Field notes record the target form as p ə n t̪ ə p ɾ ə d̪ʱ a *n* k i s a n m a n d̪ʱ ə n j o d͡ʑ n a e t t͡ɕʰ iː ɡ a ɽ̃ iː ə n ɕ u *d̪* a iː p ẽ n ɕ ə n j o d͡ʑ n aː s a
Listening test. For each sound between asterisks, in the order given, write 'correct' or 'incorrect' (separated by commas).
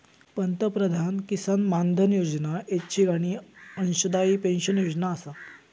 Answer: correct, correct